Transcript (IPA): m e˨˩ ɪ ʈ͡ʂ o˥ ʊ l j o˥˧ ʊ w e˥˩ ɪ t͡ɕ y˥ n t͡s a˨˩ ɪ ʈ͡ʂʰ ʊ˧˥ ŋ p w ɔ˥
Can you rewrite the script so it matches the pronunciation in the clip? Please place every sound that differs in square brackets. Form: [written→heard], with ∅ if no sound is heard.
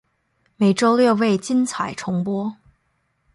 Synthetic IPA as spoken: m e˨˩ ɪ ʈ͡ʂ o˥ ʊ l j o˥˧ ʊ w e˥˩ ɪ t͡ɕ [y˥→i˥] n [t͡s→t͡sʰ] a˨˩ ɪ ʈ͡ʂʰ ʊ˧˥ ŋ p w ɔ˥